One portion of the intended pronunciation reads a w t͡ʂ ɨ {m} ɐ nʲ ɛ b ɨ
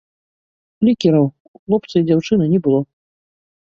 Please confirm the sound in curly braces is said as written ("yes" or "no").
no